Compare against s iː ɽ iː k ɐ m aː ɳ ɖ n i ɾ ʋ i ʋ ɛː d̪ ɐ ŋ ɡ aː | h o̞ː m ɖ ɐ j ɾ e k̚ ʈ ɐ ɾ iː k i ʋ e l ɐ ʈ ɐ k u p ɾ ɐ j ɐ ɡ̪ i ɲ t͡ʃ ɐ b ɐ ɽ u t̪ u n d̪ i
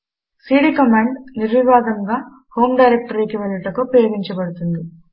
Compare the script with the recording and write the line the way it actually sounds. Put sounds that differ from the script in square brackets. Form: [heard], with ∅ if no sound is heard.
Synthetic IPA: s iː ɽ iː k ɐ m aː ɳ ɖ n i ɾ ʋ i ʋ [aː] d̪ ɐ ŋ ɡ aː | h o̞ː m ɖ ɐ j ɾ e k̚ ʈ ɐ ɾ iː k i ʋ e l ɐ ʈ ɐ k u p ɾ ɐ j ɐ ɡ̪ i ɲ t͡ʃ ɐ b ɐ ɽ u t̪ u n d̪ i